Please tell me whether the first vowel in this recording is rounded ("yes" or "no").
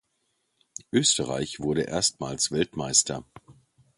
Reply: yes